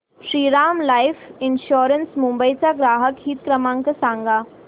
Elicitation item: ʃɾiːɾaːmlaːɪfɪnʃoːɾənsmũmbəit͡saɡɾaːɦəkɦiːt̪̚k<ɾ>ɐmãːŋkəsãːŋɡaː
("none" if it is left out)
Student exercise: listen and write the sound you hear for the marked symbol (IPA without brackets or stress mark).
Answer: ɾ